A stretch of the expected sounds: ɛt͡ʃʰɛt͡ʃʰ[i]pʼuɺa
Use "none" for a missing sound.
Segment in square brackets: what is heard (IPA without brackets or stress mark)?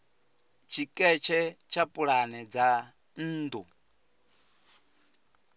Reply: a